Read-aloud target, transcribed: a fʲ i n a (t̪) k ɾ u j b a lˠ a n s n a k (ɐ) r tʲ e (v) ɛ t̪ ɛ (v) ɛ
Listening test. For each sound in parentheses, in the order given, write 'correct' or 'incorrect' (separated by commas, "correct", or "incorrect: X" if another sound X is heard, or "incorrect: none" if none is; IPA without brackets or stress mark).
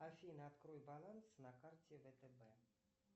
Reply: correct, incorrect: a, correct, incorrect: b